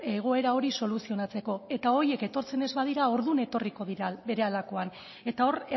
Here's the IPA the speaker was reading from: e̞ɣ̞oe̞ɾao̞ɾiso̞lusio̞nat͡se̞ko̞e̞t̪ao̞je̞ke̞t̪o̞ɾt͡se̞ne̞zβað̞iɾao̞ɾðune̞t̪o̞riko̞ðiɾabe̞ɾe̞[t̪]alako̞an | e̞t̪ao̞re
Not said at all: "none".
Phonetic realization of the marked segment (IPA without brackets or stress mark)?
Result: none